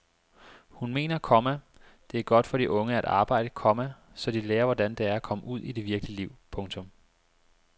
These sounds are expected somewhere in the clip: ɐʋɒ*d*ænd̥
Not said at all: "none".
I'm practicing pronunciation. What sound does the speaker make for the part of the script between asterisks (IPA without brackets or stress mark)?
d